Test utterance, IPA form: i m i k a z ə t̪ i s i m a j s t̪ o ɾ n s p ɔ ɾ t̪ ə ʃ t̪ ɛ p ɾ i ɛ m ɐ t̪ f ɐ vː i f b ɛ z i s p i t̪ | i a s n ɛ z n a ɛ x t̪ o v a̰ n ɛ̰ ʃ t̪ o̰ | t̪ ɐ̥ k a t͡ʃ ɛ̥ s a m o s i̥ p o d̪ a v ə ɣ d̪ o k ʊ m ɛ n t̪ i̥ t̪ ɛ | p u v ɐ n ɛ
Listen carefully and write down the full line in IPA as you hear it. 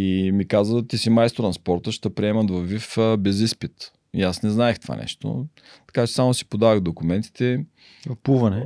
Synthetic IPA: i m i k a z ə t̪ i s i m a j s t̪ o ɾ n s p ɔ ɾ t̪ ə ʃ t̪ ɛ p ɾ i ɛ m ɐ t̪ v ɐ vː i f b ɛ z i s p i t̪ | i a s n ɛ z n a ɛ x t̪ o v a̰ n ɛ̰ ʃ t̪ o̰ | t̪ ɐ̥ k a t͡ʃ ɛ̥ s a m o s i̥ p o d̪ a v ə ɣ d̪ o k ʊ m ɛ n t̪ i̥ t̪ ɛ | p u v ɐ n ɛ